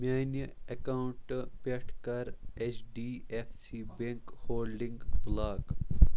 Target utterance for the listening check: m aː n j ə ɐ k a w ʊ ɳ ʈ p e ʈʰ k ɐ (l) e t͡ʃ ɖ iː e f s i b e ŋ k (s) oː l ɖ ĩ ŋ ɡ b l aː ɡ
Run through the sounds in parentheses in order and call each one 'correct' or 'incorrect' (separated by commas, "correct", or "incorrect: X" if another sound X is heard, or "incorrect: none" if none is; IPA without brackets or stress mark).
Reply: incorrect: ɾ, incorrect: h